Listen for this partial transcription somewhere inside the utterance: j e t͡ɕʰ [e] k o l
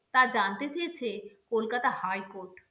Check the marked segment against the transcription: correct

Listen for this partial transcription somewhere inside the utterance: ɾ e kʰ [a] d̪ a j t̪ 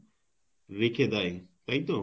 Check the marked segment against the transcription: incorrect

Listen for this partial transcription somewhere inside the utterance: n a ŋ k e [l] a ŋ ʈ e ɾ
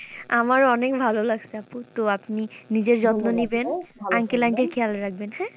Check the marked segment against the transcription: correct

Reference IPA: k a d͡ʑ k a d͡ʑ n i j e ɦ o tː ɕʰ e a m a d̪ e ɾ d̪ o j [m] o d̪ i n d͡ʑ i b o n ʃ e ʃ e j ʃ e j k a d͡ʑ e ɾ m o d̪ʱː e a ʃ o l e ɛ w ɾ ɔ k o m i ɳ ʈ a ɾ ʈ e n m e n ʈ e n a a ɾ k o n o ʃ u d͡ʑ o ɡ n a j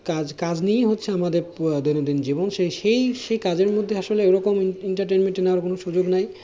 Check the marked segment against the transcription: incorrect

